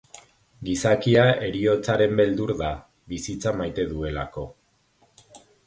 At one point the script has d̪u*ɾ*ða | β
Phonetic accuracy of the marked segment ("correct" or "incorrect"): correct